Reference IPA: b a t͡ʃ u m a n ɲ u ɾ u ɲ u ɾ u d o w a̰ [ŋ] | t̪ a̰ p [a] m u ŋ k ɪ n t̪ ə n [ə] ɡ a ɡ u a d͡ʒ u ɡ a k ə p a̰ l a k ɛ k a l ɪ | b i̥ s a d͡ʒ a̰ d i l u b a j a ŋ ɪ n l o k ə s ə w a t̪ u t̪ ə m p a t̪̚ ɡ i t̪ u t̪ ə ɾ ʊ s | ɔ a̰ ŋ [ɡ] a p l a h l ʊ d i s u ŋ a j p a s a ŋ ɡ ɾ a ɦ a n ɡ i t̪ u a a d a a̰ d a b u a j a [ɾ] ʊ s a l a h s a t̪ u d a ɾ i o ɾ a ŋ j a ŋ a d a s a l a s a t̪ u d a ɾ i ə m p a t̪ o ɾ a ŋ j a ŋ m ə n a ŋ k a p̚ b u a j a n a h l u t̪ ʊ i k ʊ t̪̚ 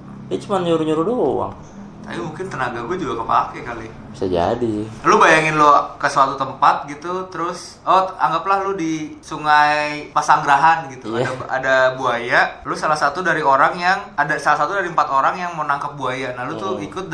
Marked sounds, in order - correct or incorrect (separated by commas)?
correct, incorrect, incorrect, correct, incorrect